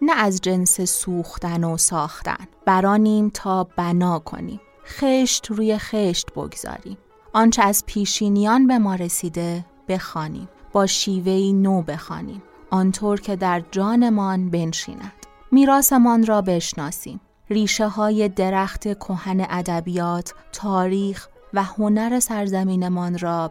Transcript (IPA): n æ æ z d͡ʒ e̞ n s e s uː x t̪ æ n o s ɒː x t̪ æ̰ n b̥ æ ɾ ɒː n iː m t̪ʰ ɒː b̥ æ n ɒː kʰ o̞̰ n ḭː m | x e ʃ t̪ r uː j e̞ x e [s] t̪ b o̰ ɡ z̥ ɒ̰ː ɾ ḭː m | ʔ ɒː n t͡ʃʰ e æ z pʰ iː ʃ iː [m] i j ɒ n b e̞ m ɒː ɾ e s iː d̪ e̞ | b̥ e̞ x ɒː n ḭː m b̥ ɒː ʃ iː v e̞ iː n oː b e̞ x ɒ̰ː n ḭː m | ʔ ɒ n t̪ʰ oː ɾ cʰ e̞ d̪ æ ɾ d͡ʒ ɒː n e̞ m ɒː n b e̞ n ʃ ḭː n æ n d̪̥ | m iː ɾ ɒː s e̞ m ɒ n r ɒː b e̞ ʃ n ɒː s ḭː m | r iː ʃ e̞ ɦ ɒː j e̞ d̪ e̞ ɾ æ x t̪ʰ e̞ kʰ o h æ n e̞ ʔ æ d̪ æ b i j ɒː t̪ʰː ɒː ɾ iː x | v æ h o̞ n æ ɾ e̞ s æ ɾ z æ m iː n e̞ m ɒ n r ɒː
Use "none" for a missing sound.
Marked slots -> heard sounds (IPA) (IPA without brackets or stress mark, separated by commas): ʃ, n